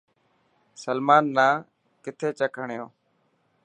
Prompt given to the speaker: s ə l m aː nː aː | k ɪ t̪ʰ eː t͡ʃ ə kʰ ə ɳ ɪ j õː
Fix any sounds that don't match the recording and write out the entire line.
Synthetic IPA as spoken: s ə l m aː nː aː | k ɪ t̪ʰ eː t͡ʃ ə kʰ ə ɳ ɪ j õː

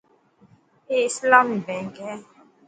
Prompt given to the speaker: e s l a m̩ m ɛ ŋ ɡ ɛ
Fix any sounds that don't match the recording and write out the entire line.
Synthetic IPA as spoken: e s l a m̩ b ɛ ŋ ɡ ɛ

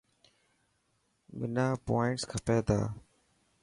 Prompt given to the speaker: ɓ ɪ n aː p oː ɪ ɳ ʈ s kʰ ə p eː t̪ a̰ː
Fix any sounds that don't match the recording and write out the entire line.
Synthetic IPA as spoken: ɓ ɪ n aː p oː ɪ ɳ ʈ s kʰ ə p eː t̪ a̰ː

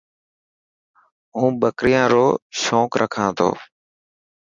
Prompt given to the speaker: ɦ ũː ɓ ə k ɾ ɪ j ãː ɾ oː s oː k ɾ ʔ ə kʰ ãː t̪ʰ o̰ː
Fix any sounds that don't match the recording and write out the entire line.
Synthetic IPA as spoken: ɦ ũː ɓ ə k ɾ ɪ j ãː ɾ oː ʃ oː k ɾ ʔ ə kʰ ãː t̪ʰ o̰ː

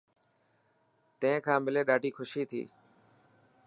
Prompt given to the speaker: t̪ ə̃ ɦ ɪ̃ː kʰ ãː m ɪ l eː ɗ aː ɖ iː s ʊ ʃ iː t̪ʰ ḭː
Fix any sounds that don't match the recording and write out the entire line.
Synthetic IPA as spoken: t̪ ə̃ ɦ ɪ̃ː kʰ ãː m ɪ l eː ɗ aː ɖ iː x ʊ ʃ iː t̪ʰ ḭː

